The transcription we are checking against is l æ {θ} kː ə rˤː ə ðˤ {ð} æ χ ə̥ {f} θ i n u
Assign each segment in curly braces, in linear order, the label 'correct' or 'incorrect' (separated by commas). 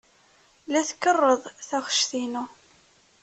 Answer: correct, incorrect, incorrect